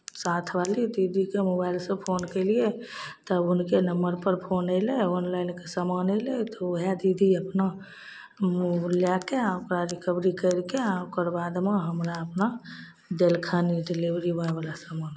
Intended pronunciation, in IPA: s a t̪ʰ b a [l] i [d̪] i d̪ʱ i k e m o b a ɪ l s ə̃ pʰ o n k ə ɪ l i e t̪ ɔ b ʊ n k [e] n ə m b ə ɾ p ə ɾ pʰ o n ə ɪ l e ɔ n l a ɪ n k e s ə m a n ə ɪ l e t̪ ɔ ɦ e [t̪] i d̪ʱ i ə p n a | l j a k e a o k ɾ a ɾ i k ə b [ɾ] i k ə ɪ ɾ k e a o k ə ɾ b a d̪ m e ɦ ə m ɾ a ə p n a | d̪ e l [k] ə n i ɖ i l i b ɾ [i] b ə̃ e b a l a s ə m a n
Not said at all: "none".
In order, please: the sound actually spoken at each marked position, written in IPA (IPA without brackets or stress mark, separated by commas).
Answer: l, d̪, e, d̪, ɾ, kʰ, i